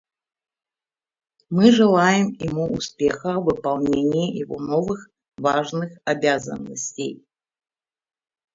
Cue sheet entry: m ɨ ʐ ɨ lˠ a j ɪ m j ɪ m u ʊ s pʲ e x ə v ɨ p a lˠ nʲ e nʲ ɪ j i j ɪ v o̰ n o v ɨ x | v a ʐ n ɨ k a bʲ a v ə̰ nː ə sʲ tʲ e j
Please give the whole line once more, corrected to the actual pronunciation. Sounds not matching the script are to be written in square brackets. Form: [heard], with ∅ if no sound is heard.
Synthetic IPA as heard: m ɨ ʐ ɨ lˠ a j ɪ m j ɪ m u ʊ s pʲ e x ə v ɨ p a lˠ nʲ e nʲ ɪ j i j ɪ v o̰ n o v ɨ x | v a ʐ n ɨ [x] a bʲ a [z] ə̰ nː ə sʲ tʲ e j